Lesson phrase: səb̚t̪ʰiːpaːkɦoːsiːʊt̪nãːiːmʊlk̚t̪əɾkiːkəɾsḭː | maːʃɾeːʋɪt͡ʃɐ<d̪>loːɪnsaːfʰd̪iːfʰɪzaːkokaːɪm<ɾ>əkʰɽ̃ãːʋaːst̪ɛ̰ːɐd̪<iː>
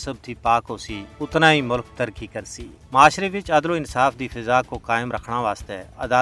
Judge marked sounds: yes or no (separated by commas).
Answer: yes, yes, no